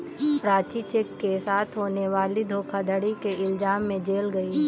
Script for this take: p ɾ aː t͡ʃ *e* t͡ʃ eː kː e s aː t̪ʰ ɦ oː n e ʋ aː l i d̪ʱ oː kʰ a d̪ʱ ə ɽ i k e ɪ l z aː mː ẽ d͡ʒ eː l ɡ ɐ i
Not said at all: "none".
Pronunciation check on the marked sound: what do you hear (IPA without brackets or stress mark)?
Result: i